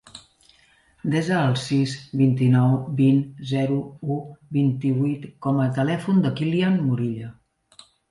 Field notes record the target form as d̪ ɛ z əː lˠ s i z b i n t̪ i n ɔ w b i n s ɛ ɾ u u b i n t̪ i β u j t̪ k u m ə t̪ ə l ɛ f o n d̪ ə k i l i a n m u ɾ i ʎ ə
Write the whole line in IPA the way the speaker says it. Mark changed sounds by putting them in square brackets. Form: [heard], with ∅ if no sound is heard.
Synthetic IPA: d̪ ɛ z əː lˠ s i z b i n t̪ i n ɔ w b i n [z] ɛ ɾ u u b i n t̪ i β u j t̪ k [ɔ] m ə t̪ ə l ɛ f [u] n d̪ ə k i l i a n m u ɾ i ʎ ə